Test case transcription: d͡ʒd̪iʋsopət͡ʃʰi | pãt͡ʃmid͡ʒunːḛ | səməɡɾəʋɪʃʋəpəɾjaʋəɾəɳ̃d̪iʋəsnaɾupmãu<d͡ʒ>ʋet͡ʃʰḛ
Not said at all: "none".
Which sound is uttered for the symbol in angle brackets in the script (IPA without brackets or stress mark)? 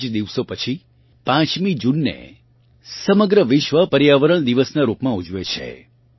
d͡ʒ